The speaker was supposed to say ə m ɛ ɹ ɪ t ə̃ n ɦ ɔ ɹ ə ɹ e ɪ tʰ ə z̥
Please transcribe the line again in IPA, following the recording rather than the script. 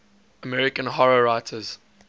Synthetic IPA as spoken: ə m ɛ ɹ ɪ k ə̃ n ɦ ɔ ɹ ə ɹ a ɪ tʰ ə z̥